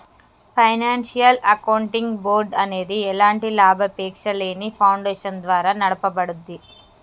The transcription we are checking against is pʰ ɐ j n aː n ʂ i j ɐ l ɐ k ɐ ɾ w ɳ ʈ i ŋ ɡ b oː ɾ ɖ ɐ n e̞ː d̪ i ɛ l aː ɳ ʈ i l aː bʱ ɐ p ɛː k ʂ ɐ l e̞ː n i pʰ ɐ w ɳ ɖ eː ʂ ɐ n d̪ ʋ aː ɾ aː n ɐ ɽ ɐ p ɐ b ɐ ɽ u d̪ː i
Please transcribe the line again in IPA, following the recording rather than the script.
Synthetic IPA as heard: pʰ ɐ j n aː n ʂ i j ɐ l ɐ k ɐ w ɳ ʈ i ŋ ɡ b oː ɾ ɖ ɐ n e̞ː d̪ i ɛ l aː ɳ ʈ i l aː bʱ ɐ p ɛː k ʂ ɐ l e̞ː n i pʰ ɐ w ɳ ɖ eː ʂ ɐ n d̪ ʋ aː ɾ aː n ɐ ɽ ɐ p ɐ b ɐ ɽ u d̪ː i